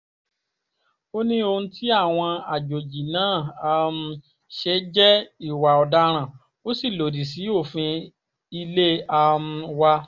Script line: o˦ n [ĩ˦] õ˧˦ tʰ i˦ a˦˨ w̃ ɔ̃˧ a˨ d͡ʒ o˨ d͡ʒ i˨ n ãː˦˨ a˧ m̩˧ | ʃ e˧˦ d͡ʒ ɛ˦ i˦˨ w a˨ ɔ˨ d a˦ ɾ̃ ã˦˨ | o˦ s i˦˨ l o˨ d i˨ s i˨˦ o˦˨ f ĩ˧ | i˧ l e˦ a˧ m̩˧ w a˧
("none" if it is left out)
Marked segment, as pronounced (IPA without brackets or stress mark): ĩ˦